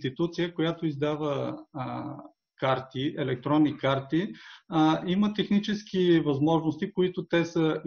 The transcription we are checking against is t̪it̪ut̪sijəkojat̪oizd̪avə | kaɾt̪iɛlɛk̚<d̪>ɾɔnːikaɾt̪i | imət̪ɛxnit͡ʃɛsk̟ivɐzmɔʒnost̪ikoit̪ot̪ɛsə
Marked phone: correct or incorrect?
incorrect